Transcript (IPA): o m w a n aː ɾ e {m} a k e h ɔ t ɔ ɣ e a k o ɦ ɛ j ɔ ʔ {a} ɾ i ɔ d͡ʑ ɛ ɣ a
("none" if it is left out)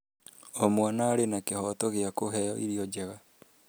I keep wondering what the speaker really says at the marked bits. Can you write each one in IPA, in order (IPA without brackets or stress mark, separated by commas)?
n, i